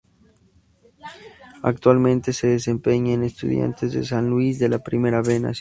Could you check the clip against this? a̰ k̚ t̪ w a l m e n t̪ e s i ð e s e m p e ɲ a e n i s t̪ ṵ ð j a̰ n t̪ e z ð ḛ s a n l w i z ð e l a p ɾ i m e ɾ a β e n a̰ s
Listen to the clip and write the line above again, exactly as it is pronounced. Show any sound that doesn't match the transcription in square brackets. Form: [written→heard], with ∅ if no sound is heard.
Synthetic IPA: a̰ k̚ t̪ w a l m [e→ẽ] n t̪ e s [i→e] ð e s e m p e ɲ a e n [i→e] s t̪ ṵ ð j a̰ n t̪ e z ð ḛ s a n l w i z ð e l a p ɾ i m e ɾ a β e n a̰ s